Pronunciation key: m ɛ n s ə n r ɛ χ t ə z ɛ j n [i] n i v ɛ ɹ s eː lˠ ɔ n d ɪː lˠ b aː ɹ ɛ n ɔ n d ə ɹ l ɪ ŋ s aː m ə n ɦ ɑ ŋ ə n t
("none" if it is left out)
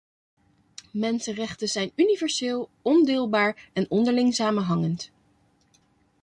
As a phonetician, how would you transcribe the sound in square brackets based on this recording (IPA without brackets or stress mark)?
y